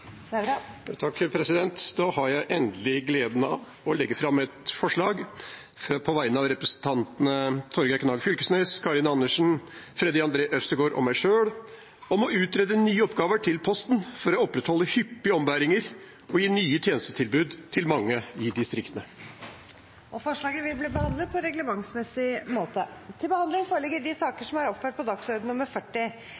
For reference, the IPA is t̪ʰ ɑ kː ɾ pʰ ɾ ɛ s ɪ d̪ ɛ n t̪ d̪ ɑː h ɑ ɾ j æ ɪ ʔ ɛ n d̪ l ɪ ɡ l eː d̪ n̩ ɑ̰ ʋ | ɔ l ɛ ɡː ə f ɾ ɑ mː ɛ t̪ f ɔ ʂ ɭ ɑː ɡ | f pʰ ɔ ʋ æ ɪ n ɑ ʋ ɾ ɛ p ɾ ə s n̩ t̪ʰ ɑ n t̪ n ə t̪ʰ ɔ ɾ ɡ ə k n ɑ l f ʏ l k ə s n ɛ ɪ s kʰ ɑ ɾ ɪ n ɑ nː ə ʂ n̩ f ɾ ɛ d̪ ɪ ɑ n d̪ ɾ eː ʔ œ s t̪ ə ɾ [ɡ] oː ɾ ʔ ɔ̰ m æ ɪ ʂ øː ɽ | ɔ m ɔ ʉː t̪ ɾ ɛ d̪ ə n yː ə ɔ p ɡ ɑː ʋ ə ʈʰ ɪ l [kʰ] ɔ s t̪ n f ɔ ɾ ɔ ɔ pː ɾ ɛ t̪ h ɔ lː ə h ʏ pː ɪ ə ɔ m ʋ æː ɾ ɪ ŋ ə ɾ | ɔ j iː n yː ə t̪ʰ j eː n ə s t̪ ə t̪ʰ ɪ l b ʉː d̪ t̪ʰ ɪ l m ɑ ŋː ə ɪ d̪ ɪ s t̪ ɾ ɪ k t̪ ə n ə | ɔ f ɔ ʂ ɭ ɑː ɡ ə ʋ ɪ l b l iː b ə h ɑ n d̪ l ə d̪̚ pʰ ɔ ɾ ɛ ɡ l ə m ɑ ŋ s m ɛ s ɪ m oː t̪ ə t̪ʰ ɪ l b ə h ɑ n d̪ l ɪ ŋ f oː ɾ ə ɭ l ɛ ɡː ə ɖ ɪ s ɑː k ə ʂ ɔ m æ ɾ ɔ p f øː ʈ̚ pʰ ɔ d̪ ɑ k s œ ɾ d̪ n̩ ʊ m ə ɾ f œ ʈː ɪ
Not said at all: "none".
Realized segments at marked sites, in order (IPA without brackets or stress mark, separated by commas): ɡ, pʰ